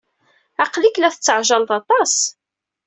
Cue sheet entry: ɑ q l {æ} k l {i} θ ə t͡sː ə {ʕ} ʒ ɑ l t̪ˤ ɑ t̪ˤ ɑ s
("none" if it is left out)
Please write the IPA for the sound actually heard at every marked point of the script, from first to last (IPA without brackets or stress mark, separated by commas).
i, æ, ʕ